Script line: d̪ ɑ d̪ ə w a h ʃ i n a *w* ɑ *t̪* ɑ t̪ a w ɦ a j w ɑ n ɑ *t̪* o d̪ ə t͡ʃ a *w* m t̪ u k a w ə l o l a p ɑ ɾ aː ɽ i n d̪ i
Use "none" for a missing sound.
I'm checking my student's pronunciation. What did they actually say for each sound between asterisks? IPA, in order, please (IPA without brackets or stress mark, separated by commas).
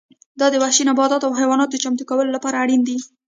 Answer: b, d̪, t̪, none